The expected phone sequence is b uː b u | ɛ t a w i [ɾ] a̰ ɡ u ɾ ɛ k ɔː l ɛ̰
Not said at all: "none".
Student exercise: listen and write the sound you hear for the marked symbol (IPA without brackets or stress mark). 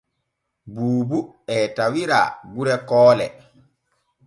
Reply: ɾ